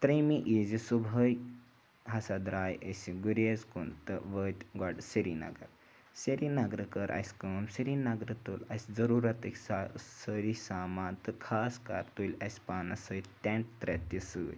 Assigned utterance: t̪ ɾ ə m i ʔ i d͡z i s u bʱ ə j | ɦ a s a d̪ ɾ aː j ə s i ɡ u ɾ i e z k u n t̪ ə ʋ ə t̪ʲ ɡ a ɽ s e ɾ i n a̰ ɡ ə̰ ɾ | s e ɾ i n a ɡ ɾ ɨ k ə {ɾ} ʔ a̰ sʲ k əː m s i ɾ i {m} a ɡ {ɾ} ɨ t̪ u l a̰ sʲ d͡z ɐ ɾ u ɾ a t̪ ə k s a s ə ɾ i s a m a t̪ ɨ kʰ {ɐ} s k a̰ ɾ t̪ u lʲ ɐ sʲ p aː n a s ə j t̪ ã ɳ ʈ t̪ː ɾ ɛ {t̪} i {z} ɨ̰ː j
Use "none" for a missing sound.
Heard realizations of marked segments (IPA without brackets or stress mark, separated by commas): ɾ, n, ɾ, a, t̪, s